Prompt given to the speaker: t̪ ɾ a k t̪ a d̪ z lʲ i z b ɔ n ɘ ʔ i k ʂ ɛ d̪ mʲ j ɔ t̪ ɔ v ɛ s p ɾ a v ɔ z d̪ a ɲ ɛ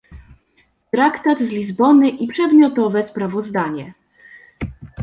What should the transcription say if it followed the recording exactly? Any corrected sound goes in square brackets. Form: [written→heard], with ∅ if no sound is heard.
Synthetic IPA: t̪ ɾ a k t̪ a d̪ z lʲ i z b ɔ n ɘ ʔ i [k→p] ʂ ɛ d̪ mʲ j ɔ t̪ ɔ v ɛ s p ɾ a v ɔ z d̪ a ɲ ɛ